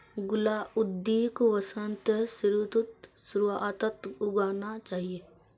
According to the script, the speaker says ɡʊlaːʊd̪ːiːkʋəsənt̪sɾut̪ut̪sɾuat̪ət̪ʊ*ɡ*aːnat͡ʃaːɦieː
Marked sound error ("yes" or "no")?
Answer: no